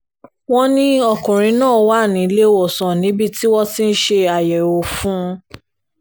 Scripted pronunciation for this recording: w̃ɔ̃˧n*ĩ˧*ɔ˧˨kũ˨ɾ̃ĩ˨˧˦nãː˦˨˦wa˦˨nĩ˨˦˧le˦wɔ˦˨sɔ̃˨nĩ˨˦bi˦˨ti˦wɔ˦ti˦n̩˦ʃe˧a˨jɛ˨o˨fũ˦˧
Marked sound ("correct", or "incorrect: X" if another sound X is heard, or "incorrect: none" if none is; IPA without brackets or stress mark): correct